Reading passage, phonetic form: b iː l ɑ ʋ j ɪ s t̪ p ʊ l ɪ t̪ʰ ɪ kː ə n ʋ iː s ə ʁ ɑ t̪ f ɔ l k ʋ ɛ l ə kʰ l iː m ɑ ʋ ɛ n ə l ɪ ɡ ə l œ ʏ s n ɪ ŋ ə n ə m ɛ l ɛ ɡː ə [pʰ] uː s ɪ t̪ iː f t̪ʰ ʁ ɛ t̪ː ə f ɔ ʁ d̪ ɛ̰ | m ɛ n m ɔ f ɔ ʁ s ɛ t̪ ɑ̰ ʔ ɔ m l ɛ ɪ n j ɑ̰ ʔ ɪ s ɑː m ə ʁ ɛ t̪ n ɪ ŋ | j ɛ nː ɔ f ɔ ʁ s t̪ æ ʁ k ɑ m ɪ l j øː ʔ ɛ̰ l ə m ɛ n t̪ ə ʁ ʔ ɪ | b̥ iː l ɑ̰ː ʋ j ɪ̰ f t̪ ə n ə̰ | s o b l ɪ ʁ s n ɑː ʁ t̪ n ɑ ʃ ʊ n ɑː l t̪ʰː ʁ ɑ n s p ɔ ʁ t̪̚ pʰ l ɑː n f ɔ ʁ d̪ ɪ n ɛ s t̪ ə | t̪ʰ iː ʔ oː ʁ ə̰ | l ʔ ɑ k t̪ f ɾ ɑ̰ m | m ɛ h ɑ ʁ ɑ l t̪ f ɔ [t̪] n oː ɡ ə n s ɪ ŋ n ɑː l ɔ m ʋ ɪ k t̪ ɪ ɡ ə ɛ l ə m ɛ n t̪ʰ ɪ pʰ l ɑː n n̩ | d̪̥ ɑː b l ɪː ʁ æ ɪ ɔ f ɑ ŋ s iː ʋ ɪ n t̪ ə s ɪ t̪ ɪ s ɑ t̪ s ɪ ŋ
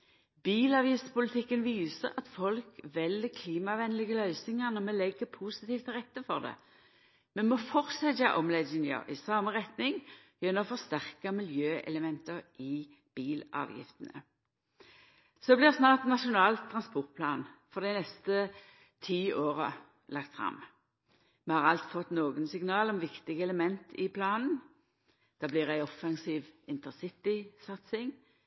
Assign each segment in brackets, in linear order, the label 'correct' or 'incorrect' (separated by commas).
correct, correct